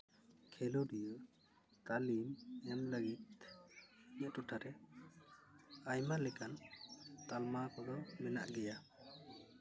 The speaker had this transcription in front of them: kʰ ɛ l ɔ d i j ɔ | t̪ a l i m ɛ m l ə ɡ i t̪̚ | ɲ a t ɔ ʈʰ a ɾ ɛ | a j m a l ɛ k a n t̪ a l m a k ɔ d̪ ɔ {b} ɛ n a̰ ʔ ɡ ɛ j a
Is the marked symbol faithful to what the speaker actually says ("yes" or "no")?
no